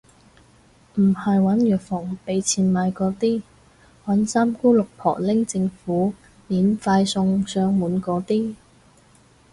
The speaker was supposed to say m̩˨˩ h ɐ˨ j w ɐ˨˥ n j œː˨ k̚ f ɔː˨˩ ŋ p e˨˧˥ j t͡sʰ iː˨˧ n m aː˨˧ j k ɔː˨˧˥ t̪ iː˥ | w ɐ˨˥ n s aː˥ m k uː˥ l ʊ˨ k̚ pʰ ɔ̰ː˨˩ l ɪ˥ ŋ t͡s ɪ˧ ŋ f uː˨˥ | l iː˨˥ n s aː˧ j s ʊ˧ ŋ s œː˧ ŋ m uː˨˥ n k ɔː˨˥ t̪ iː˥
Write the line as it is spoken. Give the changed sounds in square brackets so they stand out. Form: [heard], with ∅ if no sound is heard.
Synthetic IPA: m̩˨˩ h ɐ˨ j w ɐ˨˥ n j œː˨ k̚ f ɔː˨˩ ŋ p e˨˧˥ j t͡sʰ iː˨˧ n m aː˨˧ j k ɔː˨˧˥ t̪ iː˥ | w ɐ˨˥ n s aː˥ m k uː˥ l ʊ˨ k̚ pʰ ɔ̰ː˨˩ l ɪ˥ ŋ t͡s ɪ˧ ŋ f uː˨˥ | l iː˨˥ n [f] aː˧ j s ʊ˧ ŋ s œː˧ ŋ m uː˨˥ n k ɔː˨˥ t̪ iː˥